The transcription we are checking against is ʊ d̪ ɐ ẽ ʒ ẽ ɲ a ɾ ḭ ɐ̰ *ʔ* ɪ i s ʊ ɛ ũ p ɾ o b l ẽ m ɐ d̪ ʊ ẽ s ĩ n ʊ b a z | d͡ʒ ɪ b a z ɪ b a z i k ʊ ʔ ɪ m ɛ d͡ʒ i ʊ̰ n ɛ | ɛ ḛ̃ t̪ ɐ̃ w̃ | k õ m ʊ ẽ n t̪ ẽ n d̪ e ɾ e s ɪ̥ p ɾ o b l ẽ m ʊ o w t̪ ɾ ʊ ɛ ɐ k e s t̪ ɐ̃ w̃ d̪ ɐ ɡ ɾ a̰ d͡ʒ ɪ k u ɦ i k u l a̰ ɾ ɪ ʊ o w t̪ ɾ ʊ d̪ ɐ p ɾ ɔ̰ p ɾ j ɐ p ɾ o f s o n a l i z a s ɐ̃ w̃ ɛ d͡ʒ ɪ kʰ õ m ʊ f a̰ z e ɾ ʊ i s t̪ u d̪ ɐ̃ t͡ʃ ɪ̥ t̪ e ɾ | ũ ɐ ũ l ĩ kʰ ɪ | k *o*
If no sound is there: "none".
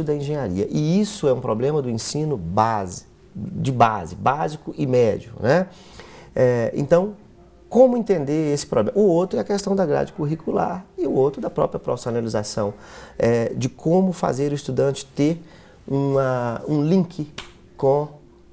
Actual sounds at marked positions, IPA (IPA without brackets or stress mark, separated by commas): ʔ, õ